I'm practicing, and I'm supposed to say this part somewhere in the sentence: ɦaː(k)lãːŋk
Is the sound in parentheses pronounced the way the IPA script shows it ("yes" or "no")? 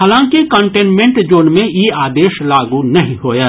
no